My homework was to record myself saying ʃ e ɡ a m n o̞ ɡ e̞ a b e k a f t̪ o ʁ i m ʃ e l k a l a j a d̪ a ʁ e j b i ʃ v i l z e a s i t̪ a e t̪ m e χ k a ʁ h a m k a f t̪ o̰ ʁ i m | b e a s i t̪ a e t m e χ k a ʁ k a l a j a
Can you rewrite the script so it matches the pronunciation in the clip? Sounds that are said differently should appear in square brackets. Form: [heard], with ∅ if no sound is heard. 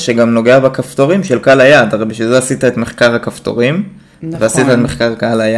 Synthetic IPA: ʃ e ɡ a m n o̞ ɡ e̞ a b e k a f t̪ o ʁ i m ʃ e l k a l a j a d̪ a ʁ e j b i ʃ v i l z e a s i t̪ a e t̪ m e χ k a ʁ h a [∅] k a f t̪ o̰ ʁ i m | [v] e a s i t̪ a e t m e χ k a ʁ k a l a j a